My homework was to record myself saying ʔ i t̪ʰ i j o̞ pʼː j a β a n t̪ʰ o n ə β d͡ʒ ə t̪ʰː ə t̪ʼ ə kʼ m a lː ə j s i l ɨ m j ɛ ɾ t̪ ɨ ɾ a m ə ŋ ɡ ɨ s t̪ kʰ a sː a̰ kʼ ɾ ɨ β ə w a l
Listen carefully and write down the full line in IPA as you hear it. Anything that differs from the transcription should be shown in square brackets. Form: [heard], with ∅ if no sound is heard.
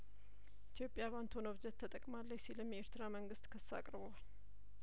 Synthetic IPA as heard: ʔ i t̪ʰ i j o̞ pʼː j a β a n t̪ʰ o n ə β d͡ʒ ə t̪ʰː ə t̪ʼ ə kʼ m a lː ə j s i l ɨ m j [e] ɾ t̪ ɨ ɾ a m ə ŋ ɡ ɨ s t̪ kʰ [ə] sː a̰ kʼ ɾ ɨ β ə w a l